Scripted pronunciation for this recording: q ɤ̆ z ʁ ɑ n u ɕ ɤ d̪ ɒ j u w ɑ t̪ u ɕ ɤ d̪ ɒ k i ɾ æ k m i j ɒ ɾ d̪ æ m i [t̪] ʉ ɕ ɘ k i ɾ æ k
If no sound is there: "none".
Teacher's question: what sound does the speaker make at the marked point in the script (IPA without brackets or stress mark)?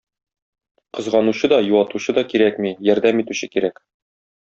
t̪